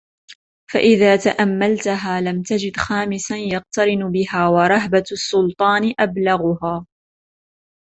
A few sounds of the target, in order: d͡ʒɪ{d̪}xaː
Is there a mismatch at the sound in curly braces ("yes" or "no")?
no